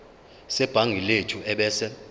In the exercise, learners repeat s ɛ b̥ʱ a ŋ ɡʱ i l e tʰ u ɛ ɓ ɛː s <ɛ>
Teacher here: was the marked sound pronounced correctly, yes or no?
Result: yes